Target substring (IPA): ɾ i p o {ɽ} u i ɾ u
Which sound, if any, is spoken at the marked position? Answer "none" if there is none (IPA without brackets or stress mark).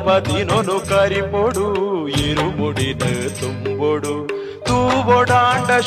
ɽ